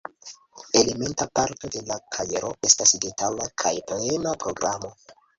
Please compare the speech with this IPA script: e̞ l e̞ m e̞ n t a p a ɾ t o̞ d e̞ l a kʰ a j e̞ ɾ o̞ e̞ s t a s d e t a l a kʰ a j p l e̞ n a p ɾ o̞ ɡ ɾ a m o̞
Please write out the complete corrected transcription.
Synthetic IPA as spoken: e̞ l e̞ m e̞ n t a p a ɾ t o̞ d e̞ l a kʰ a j e̞ ɾ o̞ e̞ s t a s d e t a l a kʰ a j p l e̞ n a p ɾ o̞ ɡ ɾ a m o̞